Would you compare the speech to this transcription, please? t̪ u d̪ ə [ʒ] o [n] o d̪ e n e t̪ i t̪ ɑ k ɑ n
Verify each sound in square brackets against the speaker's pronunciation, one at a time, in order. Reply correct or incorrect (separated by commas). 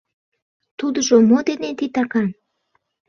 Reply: correct, incorrect